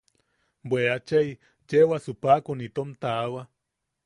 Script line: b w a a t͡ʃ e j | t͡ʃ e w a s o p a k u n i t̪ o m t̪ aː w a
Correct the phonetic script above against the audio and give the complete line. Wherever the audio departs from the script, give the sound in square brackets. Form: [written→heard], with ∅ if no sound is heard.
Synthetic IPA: b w [a→e] a t͡ʃ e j | t͡ʃ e w a s [o→u] p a k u n i t̪ o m t̪ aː w a